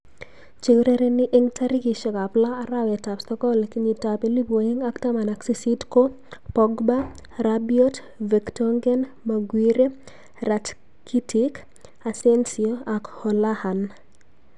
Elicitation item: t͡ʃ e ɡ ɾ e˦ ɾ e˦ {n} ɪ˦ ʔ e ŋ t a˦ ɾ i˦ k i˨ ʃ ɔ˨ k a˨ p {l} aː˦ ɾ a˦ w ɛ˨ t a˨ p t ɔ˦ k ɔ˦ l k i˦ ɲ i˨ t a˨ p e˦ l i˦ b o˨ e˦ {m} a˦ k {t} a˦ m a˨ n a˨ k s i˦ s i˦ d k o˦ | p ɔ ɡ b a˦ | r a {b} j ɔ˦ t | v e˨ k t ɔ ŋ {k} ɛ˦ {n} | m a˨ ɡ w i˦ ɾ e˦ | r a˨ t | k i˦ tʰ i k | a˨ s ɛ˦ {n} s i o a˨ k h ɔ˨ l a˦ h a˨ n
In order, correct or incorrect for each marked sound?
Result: correct, correct, incorrect, correct, correct, incorrect, correct, correct

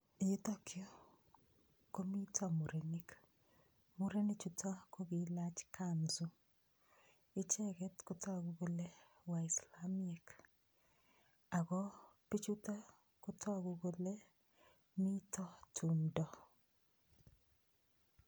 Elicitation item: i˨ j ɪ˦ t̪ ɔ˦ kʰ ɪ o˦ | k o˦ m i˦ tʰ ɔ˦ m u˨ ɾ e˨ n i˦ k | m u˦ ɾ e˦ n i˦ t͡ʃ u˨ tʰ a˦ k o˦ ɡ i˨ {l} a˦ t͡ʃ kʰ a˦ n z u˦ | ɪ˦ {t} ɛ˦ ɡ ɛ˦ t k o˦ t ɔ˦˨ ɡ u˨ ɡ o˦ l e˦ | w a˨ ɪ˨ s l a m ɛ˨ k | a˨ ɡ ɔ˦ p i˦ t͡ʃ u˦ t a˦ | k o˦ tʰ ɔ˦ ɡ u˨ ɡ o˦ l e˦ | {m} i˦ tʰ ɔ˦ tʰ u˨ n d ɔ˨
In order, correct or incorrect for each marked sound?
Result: correct, incorrect, correct

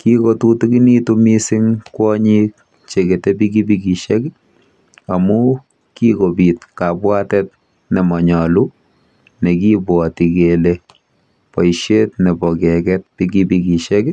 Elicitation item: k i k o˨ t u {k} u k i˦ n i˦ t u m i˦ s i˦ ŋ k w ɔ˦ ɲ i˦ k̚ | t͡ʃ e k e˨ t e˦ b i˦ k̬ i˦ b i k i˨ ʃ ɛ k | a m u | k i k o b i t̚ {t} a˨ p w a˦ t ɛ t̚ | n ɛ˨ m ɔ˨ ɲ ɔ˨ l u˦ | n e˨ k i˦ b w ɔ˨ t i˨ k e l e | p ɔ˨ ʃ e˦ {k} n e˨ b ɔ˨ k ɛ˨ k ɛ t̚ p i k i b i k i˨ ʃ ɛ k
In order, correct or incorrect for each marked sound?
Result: incorrect, incorrect, incorrect

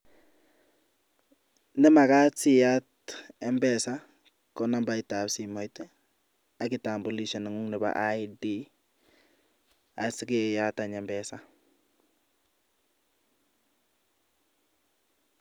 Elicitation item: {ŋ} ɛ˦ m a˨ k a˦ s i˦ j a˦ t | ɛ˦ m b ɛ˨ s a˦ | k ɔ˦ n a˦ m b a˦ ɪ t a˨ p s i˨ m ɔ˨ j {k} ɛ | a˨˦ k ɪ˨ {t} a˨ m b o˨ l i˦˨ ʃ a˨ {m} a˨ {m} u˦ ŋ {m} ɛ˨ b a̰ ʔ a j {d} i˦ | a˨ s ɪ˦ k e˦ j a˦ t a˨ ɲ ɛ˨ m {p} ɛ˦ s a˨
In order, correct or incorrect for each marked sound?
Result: incorrect, incorrect, correct, incorrect, incorrect, incorrect, correct, incorrect

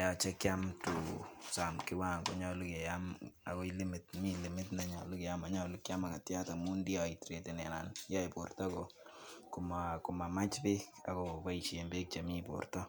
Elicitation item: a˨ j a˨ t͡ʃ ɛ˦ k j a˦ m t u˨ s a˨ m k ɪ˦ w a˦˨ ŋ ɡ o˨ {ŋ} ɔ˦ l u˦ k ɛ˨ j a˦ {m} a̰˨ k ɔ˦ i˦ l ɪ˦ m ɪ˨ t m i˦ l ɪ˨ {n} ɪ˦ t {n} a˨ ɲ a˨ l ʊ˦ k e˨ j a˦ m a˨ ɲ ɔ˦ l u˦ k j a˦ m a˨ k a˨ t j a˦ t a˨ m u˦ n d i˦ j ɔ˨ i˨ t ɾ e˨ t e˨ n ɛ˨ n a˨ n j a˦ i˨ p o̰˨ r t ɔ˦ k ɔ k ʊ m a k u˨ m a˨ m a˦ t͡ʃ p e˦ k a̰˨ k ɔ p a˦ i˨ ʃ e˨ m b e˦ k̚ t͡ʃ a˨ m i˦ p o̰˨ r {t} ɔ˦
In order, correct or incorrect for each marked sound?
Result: incorrect, correct, incorrect, correct, correct

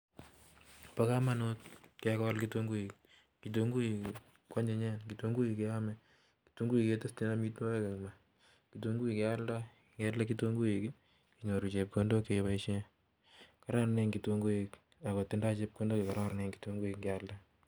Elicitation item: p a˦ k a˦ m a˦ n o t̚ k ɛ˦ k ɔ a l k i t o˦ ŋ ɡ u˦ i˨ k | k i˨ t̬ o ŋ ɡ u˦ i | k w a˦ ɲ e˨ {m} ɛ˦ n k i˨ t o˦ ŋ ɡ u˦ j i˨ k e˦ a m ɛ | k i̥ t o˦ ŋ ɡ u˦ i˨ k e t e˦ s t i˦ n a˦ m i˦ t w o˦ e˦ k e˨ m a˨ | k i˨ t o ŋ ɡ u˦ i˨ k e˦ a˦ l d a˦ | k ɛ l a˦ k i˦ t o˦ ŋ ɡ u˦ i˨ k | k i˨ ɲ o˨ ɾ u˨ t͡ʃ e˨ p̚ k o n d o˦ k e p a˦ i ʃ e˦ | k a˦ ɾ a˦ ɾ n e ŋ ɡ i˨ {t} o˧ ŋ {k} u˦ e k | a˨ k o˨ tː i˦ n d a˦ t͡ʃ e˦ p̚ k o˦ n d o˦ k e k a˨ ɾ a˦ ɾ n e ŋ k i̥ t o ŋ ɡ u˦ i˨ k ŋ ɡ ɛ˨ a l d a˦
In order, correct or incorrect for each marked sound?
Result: incorrect, correct, incorrect

